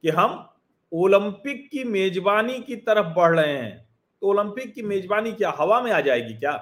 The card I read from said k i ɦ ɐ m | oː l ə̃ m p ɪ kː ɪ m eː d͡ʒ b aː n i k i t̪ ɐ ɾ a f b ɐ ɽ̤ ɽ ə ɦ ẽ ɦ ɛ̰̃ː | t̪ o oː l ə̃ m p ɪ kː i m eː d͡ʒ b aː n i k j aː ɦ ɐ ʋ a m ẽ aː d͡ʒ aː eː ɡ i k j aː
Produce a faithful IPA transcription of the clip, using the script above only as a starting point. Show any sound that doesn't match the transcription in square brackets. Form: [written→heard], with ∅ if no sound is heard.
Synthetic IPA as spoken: k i ɦ ɐ m | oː l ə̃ m p ɪ kː [ɪ→i] m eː d͡ʒ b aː n i k i t̪ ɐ ɾ [a→ə] f b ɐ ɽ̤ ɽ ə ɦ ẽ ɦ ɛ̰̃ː | t̪ o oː l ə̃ m p ɪ kː i m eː d͡ʒ b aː n i k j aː ɦ ɐ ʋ a m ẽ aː d͡ʒ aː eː ɡ i k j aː